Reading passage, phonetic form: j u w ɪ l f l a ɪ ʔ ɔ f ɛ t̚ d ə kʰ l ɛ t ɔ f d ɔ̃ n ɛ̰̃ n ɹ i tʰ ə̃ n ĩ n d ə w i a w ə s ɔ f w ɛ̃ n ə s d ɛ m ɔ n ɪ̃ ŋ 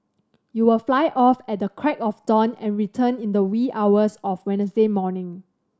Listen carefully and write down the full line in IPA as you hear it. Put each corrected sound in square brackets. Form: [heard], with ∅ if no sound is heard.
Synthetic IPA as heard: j u w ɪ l f l a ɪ ʔ ɔ f ɛ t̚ d ə kʰ [ɹ] ɛ [k] ɔ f d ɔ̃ n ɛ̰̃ n ɹ i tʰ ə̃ n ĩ n d ə w i a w ə s ɔ f w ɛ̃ n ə s d [e] m ɔ n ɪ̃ ŋ